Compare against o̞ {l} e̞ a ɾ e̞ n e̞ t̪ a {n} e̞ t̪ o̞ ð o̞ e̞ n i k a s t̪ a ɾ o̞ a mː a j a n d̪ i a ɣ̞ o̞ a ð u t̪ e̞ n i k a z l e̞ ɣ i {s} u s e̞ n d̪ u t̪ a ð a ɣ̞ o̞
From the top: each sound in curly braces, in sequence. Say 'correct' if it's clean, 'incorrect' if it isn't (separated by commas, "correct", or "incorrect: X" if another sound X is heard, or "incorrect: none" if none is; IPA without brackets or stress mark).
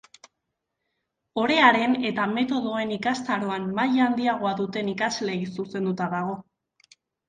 incorrect: ɾ, incorrect: m, correct